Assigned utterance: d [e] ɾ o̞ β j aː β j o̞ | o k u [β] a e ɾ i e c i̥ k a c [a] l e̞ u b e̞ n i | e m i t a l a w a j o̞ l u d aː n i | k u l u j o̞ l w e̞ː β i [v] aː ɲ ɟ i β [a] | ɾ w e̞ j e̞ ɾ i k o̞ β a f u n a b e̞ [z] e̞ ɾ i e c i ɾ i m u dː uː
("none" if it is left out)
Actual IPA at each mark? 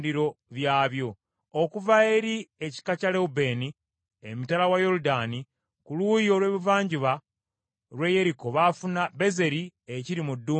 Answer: i, v, a, v, a, z

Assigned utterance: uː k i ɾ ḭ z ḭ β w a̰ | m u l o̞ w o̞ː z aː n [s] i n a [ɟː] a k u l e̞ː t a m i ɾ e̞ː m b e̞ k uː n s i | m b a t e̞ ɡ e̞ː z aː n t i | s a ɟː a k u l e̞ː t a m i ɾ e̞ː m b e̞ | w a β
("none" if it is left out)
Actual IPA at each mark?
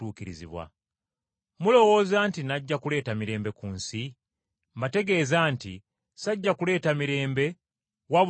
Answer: t, ɟː

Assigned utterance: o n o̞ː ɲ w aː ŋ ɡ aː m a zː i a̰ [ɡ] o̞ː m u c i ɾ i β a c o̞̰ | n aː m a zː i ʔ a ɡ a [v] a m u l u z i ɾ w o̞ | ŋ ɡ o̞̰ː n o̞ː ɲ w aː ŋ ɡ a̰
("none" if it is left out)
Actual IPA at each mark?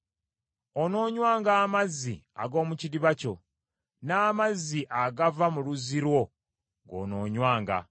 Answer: ɡ, v

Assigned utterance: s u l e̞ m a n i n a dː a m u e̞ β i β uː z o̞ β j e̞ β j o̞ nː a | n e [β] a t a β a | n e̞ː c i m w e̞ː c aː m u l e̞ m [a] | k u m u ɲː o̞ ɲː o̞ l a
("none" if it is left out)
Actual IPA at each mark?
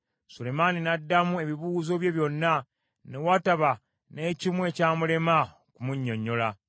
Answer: w, a

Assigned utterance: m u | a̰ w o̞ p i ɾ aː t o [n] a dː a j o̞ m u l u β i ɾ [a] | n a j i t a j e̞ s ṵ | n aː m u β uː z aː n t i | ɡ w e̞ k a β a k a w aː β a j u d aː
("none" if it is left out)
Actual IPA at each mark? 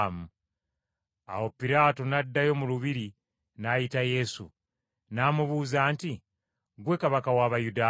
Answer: n, i

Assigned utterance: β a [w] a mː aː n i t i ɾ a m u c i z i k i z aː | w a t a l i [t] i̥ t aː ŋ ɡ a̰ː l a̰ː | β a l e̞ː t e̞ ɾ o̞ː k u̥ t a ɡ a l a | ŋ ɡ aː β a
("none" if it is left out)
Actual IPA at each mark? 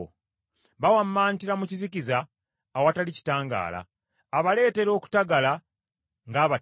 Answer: w, c

